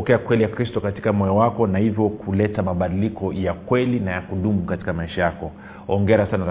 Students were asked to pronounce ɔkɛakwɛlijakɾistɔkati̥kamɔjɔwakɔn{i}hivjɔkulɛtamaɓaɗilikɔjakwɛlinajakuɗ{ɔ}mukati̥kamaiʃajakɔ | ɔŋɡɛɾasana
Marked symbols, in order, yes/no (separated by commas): no, no